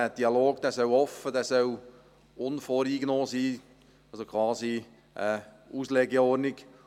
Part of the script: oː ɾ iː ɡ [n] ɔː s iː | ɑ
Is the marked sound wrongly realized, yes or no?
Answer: no